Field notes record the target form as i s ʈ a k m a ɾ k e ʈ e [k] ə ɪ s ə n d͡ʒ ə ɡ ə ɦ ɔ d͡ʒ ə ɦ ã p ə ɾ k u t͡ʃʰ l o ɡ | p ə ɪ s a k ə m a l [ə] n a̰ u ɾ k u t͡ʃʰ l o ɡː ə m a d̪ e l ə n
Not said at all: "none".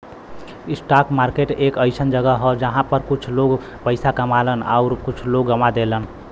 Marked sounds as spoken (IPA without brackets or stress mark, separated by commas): k, ə